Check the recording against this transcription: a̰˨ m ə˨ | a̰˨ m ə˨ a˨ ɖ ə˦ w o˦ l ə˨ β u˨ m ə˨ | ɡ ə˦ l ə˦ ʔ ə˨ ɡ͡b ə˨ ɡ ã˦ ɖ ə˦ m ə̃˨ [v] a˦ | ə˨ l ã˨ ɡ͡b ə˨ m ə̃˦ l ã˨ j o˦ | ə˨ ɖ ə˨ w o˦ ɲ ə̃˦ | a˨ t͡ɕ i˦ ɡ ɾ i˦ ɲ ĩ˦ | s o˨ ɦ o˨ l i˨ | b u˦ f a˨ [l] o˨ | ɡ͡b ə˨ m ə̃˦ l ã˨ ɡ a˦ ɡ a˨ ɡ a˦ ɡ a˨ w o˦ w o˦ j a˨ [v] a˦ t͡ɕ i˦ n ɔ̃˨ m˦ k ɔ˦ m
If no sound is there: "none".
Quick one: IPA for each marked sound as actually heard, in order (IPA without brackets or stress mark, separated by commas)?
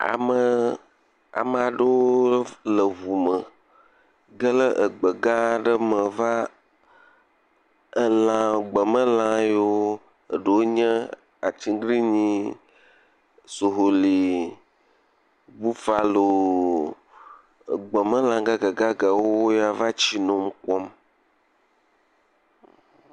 v, l, v